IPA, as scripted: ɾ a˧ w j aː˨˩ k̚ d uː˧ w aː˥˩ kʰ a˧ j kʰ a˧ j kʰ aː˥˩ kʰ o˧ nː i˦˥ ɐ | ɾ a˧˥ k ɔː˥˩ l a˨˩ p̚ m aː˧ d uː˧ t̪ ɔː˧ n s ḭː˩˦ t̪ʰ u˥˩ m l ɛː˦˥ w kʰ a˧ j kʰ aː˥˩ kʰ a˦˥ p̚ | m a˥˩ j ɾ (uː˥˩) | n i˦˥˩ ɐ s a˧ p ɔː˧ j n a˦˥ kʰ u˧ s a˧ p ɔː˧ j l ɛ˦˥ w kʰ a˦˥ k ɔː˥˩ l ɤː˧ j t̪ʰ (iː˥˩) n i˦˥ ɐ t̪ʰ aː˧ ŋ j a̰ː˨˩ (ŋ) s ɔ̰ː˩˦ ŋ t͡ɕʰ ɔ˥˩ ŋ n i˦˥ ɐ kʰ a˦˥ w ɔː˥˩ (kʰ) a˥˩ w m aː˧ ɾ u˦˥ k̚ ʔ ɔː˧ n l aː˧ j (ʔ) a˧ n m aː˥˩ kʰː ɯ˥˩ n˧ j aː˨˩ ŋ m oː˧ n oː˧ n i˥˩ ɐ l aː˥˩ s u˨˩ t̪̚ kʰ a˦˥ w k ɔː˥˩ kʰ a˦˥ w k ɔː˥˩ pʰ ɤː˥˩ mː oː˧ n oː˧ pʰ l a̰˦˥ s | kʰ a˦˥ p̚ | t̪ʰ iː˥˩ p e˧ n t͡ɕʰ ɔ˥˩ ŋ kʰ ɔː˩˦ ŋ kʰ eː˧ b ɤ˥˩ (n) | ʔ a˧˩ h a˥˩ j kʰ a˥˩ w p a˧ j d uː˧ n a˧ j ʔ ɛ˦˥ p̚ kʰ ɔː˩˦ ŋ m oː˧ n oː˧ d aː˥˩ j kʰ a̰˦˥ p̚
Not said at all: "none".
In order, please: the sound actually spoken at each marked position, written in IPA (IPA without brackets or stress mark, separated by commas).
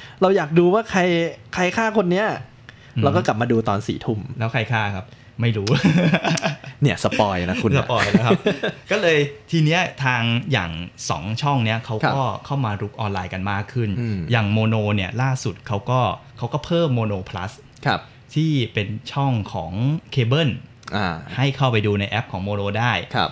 uː˦˥, iː˧, ŋ, kʰ, k, n